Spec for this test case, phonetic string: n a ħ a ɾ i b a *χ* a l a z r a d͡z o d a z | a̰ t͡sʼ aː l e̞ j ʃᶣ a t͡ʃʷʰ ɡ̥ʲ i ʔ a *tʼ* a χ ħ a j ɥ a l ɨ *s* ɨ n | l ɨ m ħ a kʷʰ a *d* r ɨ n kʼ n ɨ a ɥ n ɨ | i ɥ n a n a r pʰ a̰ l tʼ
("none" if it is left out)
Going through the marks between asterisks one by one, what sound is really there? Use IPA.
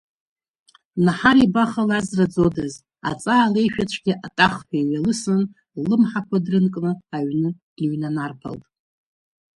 χ, tʼ, s, d

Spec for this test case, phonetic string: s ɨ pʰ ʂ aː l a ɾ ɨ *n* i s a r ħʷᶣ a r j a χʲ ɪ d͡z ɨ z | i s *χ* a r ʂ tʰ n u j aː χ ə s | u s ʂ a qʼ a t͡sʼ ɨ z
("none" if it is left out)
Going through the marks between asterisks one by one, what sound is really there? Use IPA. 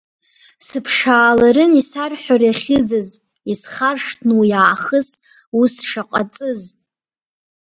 n, χ

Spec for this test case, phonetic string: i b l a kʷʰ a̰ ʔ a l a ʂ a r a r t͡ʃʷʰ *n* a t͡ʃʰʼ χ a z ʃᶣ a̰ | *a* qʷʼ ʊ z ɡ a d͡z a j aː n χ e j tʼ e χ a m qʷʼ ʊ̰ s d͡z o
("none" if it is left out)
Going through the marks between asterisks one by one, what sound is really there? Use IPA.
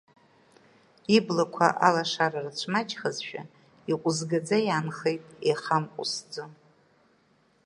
m, i

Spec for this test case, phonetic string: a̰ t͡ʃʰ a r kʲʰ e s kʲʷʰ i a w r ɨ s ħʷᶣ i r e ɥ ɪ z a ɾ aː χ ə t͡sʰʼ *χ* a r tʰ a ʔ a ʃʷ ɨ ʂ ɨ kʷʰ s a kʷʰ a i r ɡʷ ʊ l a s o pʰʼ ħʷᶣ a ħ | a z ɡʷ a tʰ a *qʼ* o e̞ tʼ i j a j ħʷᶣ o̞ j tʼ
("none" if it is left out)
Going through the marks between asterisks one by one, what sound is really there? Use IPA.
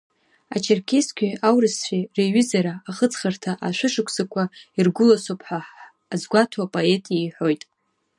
χ, pʼ

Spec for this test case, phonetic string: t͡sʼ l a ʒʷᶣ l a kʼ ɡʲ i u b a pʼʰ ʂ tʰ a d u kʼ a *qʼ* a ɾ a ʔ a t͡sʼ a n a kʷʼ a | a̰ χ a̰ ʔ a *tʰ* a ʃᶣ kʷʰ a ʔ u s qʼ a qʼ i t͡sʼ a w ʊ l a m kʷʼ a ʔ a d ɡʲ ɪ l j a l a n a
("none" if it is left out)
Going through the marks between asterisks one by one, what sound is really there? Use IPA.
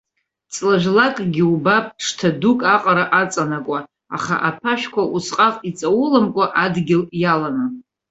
qʼ, pʰ

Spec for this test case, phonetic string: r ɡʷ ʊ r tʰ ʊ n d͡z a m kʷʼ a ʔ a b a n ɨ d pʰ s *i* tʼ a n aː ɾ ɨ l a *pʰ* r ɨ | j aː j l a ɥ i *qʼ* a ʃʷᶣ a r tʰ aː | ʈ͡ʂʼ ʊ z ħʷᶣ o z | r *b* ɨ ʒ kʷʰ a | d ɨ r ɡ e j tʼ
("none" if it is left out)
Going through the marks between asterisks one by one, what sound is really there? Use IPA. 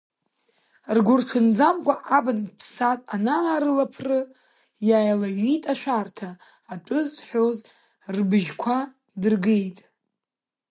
a, pʰ, tʼ, b

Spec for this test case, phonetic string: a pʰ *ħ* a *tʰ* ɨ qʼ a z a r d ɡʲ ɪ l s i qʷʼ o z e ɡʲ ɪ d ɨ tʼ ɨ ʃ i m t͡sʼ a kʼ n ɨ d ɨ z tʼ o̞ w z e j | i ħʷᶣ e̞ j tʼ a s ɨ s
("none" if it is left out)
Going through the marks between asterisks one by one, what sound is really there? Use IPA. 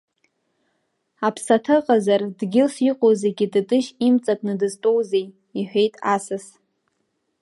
s, tʰ

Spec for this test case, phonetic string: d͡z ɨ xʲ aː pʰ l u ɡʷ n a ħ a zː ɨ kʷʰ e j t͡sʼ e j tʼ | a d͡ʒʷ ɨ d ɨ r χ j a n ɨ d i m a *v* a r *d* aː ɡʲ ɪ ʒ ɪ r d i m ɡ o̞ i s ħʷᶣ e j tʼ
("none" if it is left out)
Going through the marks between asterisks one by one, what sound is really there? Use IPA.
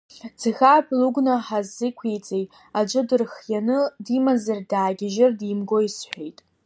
z, d

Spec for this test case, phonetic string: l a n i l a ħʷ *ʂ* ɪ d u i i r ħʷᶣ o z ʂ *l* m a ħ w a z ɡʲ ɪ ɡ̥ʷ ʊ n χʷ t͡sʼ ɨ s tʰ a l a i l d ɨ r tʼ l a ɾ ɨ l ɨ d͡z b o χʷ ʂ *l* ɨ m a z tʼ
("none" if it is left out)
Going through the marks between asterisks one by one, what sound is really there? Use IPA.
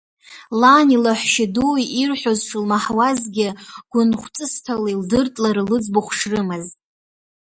ʃ, l, r

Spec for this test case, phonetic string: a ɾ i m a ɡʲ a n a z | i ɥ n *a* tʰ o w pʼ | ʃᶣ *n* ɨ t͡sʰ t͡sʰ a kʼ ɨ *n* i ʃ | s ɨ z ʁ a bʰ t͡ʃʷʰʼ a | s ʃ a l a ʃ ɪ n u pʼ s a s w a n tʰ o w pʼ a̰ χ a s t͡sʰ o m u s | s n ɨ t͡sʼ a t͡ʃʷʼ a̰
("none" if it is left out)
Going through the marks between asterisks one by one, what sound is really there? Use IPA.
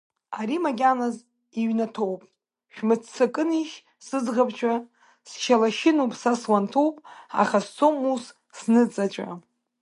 a, m, n

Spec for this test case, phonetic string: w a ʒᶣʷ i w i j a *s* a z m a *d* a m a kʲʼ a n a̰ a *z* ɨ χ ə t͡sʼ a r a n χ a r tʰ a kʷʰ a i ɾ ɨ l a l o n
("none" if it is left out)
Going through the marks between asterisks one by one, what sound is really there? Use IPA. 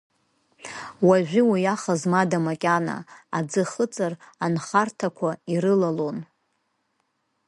χ, d, d͡z

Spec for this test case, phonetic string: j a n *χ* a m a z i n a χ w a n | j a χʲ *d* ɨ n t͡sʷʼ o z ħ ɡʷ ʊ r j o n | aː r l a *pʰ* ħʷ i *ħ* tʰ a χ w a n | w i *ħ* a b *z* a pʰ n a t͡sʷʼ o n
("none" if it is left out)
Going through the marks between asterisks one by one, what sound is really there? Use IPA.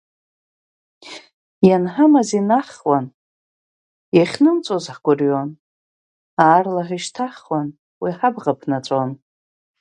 ħ, n, none, ʃ, ħ, ʁ

